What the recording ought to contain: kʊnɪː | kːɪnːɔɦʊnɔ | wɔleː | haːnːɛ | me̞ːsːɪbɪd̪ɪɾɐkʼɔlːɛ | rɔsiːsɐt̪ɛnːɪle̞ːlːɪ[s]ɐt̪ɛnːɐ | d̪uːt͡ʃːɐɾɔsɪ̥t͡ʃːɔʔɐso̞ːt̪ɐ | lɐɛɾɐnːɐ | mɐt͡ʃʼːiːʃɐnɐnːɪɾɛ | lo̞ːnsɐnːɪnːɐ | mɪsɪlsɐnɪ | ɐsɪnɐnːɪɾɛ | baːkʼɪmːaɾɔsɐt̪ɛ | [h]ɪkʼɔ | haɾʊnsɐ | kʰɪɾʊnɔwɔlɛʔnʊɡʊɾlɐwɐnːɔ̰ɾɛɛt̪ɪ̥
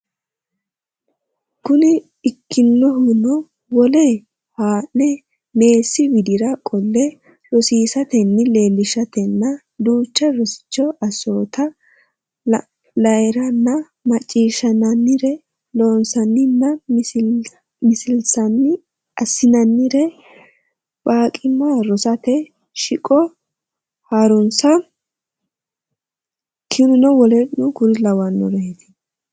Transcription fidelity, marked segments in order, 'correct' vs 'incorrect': incorrect: ʃ, incorrect: ʃ

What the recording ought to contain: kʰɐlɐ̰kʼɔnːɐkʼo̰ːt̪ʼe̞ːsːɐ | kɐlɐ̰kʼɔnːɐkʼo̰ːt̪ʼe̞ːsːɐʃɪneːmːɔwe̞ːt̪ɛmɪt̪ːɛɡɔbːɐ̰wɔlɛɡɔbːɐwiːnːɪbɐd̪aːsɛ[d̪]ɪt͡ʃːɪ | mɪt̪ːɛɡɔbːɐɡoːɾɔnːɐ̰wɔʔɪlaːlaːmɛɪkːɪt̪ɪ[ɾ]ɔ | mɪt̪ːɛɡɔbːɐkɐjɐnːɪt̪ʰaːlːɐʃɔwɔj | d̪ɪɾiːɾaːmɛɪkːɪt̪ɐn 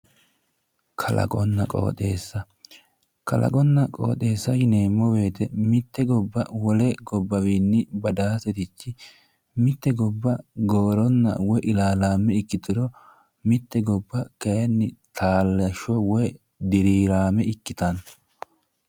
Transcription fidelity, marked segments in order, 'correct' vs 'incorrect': incorrect: t̪, correct

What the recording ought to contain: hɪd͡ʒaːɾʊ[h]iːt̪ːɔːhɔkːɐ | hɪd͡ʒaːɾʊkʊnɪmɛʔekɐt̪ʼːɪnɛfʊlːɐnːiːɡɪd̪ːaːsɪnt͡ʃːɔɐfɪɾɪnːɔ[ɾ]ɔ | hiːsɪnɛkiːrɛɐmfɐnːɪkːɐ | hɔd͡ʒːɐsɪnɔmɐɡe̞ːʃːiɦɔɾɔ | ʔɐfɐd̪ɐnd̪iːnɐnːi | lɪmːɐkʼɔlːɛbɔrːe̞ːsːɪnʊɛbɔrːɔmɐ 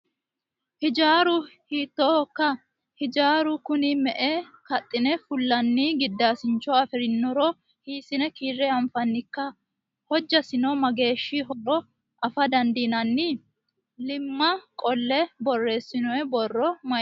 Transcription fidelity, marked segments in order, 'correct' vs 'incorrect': correct, correct

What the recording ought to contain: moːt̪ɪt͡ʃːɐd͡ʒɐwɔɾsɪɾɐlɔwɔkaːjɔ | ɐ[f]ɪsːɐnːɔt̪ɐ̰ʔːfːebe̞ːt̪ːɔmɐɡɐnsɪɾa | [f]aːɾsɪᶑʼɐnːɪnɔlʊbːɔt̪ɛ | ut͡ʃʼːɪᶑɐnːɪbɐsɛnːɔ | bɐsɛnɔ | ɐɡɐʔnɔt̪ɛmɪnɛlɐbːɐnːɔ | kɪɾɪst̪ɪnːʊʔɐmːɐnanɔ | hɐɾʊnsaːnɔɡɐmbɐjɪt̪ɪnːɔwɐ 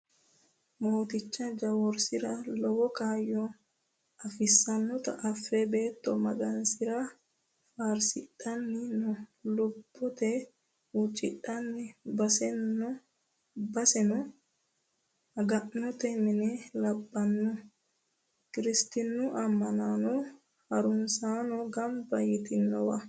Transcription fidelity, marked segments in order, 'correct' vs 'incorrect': correct, correct

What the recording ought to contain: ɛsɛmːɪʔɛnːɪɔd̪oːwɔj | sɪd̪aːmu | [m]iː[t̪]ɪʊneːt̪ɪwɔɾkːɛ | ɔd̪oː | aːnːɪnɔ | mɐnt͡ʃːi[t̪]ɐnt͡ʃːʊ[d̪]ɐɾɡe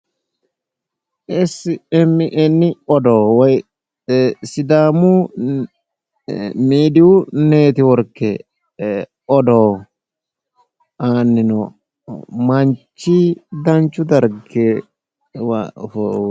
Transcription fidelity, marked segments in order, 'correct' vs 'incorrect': correct, incorrect: d̪, incorrect: d̪, correct

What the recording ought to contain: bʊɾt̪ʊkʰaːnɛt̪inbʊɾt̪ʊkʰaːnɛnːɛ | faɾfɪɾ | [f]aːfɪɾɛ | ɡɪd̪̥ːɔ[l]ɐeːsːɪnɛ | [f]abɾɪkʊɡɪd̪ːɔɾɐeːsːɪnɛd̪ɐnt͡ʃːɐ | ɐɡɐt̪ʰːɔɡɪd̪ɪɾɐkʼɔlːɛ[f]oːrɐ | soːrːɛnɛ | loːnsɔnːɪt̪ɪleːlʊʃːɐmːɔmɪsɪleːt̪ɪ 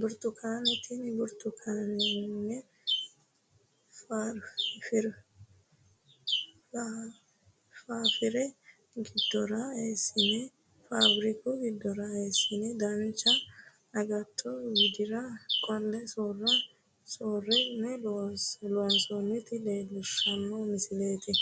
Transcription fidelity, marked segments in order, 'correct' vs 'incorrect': correct, incorrect: ɾ, correct, incorrect: s

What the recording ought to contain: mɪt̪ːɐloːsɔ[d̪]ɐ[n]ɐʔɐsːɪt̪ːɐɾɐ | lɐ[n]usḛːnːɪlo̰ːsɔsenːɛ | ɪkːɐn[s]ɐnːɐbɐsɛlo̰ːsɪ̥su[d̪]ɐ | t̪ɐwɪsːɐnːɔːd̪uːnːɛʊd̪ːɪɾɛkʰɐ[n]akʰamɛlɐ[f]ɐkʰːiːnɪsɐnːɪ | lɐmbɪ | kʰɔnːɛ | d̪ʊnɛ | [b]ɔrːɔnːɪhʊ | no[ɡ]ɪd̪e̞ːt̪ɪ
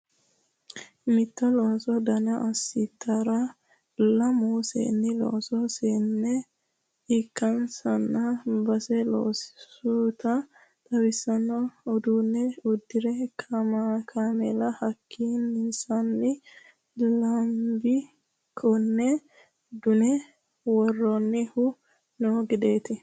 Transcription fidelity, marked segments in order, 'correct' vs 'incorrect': correct, correct, incorrect: m, correct, incorrect: t̪, incorrect: m, incorrect: h, incorrect: w, correct

